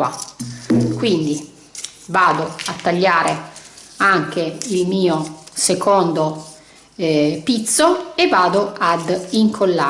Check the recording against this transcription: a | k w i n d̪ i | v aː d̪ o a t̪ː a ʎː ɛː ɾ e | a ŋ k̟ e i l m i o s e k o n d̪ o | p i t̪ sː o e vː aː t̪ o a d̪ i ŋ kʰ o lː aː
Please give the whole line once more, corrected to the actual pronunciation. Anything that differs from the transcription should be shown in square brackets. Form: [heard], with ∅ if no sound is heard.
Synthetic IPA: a | k w i n d̪ i | v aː d̪ o a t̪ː a ʎː [aː] ɾ e | a ŋ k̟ e i l m [iː] o s e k o n d̪ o | p i t̪ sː o e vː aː [d̪] o a d̪ i ŋ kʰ o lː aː